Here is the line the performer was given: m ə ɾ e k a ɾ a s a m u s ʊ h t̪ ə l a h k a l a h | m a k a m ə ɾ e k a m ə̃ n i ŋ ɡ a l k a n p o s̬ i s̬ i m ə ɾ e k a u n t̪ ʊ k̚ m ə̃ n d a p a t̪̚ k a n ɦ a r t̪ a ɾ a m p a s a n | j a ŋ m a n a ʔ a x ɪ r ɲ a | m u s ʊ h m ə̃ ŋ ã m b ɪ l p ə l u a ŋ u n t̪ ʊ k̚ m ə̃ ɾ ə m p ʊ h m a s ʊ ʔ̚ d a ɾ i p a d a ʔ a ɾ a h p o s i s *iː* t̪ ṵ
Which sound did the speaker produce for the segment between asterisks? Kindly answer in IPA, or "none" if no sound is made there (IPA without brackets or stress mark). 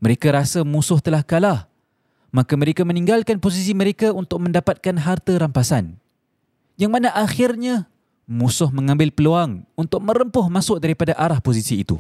iː